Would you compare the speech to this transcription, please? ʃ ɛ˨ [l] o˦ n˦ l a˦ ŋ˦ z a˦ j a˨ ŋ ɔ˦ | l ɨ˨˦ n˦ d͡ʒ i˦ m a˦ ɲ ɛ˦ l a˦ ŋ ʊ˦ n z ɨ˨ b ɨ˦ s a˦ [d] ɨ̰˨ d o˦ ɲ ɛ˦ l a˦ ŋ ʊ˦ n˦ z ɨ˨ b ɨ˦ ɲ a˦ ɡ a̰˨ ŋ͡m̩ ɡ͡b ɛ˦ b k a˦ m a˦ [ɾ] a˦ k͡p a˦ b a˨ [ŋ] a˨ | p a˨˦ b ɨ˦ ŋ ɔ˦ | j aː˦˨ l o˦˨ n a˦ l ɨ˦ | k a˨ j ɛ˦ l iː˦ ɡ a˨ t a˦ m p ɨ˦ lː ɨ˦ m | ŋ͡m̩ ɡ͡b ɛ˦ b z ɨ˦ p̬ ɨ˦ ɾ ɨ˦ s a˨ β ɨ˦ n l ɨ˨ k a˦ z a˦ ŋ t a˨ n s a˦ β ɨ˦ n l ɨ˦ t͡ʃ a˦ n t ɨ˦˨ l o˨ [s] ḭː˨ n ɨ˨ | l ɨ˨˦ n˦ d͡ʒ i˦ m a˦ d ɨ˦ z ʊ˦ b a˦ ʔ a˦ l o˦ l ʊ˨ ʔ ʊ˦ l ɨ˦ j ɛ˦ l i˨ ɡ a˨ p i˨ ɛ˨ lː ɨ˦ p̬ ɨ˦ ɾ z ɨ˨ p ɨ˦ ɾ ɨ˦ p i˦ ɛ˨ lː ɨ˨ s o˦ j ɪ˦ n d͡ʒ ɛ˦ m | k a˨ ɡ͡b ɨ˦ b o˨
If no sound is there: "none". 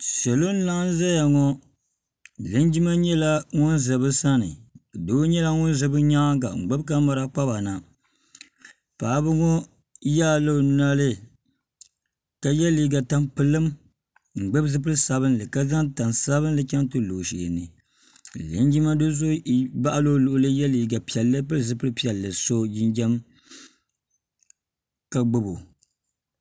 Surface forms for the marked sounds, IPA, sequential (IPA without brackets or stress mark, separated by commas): l, n, ɾ, n, ʃ